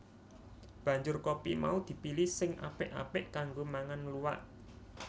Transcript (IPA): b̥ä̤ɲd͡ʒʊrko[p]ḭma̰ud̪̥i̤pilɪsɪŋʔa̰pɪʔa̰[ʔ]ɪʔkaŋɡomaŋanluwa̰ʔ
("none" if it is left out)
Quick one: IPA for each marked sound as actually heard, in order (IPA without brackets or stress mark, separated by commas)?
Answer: p, p